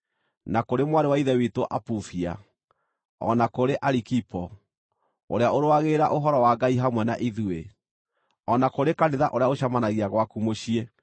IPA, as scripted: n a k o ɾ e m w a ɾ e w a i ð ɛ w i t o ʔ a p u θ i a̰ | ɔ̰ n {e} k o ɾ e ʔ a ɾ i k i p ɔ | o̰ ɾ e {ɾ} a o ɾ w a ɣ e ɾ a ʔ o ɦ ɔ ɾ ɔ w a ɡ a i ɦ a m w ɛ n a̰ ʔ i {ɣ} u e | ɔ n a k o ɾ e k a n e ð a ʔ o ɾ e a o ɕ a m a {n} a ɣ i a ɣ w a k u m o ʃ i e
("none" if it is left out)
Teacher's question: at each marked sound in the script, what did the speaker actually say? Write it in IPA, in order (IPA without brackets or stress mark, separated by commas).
a, none, ð, n